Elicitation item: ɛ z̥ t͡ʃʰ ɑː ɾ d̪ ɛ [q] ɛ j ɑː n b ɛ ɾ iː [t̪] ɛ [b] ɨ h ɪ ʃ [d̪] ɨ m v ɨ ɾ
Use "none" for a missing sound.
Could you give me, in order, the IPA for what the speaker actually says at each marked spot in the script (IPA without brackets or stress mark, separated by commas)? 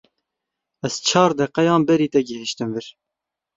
q, t̪, ɡ, t̪